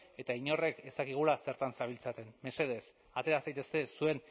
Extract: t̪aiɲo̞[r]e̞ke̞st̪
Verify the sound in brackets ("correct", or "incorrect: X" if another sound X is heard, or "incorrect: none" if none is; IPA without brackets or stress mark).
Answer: correct